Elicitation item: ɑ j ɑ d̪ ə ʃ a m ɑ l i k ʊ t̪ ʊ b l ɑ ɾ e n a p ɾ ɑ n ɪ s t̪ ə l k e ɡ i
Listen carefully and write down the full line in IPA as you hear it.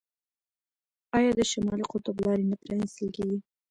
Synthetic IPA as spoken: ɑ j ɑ d̪ ə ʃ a m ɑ l i q ʊ t̪ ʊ b l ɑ ɾ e n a p ɾ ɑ n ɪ s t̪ ə l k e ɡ i